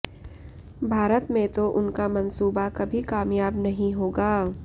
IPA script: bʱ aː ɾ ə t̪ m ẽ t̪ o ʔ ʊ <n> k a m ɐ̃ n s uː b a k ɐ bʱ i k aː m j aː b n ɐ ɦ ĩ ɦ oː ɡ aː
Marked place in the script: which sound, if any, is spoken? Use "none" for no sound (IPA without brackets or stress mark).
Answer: n